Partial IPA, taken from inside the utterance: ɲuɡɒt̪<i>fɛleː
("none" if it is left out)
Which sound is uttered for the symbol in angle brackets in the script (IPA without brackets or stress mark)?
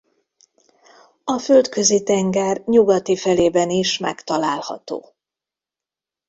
i